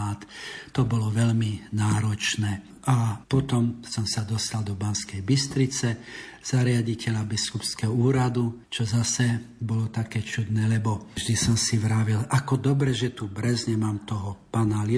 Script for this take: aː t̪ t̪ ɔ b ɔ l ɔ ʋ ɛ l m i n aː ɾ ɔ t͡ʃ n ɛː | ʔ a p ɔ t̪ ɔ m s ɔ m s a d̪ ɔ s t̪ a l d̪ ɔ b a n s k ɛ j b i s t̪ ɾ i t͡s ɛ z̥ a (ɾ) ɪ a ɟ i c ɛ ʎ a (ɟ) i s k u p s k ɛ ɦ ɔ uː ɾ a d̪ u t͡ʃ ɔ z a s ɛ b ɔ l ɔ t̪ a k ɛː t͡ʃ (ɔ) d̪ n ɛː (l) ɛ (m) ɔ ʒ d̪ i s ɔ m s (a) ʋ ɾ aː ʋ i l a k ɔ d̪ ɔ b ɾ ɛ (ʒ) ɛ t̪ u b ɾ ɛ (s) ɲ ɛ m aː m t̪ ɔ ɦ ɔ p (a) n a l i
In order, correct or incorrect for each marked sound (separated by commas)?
correct, incorrect, incorrect, correct, incorrect, incorrect, correct, incorrect, correct